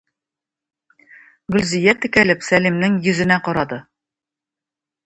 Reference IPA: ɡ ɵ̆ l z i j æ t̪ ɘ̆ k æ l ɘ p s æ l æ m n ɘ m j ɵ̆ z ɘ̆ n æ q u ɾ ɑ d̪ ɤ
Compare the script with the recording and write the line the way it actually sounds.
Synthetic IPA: ɡ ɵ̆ l z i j æ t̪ ɘ̆ k æ l ɘ p s æ l i m n ɘ ŋ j ɵ̆ z ɘ̆ n æ q ɒ ɾ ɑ d̪ ɤ